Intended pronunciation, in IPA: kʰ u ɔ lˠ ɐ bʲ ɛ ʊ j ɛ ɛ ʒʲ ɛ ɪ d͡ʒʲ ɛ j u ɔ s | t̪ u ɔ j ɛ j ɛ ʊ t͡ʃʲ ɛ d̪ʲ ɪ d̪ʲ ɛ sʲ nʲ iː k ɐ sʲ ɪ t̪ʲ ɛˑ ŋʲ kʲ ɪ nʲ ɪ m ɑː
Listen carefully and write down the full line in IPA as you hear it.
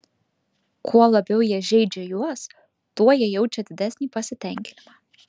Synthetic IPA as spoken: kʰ u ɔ lˠ ɐ bʲ ɛ ʊ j i ɛ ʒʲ ɛ ɪ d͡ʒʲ ɛ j u ɔ s | t̪ u ɔ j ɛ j ɛ ʊ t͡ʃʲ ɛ d̪ʲ ɪ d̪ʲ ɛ sʲ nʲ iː p ɐ sʲ ɪ t̪ʲ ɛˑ ŋʲ kʲ ɪ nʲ ɪ m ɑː